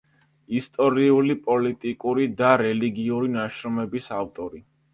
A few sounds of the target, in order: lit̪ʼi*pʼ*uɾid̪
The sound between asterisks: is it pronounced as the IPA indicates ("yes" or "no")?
no